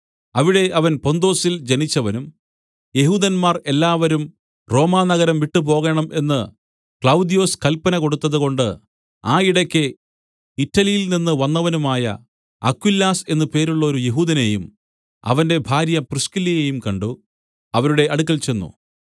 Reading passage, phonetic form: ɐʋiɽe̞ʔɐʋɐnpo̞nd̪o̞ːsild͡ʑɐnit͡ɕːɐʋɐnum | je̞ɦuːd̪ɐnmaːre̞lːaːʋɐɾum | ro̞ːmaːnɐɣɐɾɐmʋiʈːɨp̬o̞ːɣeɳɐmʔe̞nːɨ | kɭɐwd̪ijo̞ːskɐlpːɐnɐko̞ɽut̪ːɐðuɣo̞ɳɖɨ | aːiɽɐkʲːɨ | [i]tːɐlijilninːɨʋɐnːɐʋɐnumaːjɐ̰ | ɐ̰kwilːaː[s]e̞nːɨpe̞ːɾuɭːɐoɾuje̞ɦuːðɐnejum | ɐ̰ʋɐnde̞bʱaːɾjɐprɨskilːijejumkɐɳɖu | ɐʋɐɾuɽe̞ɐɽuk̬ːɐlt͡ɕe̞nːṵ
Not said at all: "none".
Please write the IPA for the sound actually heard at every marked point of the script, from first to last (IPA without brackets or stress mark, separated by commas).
i, s